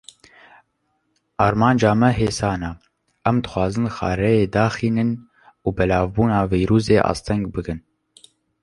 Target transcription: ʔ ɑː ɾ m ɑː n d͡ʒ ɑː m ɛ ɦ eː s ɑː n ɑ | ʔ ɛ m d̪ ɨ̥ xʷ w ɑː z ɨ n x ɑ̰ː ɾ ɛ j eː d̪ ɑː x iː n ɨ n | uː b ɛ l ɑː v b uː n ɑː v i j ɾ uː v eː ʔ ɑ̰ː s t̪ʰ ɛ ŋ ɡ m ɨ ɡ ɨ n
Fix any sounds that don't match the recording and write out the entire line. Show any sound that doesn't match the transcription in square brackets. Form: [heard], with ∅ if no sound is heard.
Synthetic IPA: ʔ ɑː ɾ m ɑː n d͡ʒ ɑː m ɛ ɦ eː s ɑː n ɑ | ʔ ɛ m d̪ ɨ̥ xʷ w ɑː z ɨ n x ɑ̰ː ɾ ɛ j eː d̪ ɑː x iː n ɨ n | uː b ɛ l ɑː v b uː n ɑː v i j ɾ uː [z] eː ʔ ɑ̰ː s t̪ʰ ɛ ŋ ɡ [b] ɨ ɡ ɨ n